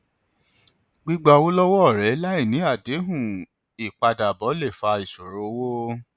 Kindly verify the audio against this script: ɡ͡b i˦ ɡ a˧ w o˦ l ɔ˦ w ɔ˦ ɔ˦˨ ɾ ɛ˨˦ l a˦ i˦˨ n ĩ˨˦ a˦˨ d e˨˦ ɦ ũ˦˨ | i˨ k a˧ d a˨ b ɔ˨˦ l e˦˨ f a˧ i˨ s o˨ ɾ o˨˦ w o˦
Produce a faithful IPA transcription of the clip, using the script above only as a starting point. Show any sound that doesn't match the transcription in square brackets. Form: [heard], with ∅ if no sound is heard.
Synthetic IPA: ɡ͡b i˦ [ɡ͡b] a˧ w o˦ l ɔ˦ w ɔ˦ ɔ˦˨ ɾ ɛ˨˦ l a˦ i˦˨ n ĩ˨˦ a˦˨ d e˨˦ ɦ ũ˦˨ | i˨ [k͡p] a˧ d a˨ b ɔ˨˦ l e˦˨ f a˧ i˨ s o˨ ɾ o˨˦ w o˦